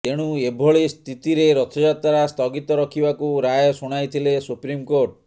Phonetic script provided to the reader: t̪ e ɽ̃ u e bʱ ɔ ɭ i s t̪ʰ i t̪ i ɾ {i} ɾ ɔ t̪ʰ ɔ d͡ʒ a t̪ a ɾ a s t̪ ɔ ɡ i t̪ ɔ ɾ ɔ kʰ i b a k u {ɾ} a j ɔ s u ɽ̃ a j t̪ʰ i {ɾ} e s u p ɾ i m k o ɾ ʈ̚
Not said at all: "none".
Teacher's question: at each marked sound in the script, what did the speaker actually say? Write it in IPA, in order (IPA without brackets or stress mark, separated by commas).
e, ɾ, l